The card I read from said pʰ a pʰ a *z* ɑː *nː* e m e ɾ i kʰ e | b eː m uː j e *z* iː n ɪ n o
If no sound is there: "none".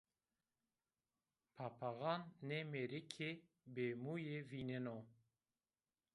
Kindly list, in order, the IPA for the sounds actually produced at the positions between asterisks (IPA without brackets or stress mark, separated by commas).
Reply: ɣ, nː, v